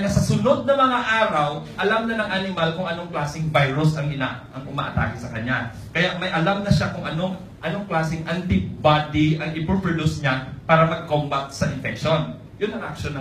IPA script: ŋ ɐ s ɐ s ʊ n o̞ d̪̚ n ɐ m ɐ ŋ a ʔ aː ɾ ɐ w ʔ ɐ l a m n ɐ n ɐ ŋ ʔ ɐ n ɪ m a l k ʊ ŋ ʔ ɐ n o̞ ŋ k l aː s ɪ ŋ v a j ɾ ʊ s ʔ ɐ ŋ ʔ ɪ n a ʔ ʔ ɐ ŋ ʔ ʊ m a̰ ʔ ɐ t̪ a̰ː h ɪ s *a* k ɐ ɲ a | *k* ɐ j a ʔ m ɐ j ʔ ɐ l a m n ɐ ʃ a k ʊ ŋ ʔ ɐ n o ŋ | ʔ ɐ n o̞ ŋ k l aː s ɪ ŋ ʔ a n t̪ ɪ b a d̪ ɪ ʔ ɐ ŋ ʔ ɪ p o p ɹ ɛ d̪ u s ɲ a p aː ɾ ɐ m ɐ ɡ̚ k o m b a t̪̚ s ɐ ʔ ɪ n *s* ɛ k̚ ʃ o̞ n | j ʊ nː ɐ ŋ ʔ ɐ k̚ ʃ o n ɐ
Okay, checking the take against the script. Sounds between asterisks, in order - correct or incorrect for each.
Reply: incorrect: ɐ, correct, incorrect: f

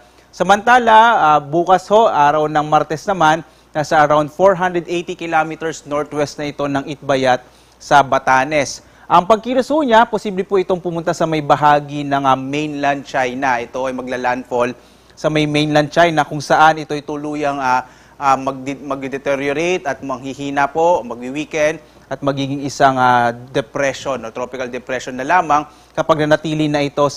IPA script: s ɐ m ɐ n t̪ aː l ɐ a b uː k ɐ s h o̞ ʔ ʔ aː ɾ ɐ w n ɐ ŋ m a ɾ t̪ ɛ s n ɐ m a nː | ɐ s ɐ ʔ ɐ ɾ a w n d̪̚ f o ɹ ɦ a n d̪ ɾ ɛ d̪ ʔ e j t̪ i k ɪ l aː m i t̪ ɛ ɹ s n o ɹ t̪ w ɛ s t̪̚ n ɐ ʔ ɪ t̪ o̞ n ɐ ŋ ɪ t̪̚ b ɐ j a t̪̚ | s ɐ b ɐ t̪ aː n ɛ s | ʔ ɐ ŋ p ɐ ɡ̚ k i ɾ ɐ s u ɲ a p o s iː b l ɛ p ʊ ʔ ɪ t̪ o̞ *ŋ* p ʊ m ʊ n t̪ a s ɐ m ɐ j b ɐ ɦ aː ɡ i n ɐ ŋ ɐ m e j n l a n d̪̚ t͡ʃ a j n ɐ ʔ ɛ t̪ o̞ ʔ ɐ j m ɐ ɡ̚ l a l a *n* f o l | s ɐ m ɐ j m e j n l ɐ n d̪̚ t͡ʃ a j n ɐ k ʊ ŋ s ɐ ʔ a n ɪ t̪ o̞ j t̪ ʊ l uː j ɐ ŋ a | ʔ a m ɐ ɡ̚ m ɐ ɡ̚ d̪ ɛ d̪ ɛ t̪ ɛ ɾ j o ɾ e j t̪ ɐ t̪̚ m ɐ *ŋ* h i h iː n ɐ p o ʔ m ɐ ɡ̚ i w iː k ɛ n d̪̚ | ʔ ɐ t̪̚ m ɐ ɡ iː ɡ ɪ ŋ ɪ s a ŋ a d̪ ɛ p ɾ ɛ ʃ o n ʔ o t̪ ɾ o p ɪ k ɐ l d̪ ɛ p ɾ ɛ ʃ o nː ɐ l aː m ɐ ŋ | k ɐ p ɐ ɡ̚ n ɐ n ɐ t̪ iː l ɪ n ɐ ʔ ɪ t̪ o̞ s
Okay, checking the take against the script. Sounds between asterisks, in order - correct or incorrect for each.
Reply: correct, correct, correct

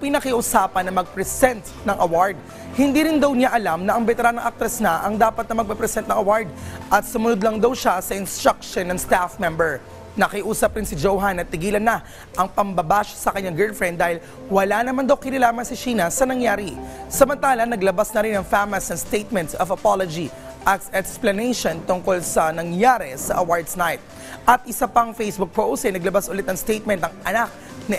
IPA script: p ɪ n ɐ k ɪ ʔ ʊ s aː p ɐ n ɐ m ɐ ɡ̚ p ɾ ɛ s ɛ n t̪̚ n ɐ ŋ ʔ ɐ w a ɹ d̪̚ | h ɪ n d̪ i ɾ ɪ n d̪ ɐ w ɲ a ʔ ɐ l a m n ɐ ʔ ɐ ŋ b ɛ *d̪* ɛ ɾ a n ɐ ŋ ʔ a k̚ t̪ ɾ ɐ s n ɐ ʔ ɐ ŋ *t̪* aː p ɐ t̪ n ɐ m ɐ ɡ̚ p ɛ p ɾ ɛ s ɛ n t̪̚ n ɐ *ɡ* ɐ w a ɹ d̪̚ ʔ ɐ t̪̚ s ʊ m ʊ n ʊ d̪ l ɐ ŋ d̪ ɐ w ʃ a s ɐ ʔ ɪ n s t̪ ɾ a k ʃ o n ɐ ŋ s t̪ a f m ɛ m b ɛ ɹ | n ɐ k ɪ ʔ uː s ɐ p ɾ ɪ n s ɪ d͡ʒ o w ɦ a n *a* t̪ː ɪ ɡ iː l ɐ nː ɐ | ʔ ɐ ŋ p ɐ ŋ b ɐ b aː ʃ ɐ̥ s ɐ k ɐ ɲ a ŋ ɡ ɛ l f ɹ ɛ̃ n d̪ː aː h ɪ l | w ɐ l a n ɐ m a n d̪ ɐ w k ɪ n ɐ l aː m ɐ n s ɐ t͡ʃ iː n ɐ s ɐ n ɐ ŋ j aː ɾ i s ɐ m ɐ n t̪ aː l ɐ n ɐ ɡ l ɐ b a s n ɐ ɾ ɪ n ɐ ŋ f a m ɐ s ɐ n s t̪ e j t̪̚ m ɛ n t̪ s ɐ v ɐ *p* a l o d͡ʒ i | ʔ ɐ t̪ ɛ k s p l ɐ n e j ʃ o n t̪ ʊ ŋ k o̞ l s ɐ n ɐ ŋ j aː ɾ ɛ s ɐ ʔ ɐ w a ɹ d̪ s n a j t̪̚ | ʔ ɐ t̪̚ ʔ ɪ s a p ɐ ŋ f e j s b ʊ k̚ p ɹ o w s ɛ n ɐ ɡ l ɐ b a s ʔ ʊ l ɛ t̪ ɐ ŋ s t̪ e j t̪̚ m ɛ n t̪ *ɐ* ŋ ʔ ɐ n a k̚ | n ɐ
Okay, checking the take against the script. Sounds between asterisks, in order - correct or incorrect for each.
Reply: incorrect: t̪, incorrect: d̪, incorrect: ŋ, incorrect: ɐ, correct, correct

